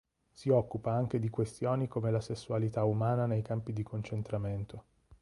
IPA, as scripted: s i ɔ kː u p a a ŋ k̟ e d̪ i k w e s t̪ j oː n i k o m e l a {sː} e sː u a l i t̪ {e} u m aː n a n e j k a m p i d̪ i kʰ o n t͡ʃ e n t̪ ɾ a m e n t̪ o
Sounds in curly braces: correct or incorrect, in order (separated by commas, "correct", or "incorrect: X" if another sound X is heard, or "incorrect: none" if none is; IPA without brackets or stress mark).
incorrect: s, incorrect: a